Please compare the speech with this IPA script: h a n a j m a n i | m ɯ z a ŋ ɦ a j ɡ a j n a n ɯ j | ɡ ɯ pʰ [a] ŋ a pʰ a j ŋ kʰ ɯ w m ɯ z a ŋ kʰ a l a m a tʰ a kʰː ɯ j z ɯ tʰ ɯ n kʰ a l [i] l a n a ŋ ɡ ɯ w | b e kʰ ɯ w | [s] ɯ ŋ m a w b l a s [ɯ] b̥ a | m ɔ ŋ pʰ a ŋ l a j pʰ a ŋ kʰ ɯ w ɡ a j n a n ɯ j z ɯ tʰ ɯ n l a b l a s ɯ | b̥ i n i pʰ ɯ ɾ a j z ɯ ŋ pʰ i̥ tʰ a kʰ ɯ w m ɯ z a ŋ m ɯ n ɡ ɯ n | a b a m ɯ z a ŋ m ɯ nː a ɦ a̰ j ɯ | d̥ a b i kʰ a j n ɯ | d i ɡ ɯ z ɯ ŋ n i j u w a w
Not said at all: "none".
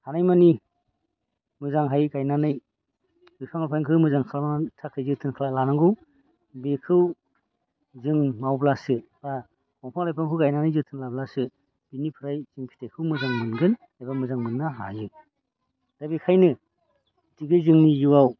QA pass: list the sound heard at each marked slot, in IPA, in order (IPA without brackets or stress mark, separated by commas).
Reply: a, a, z, ɯ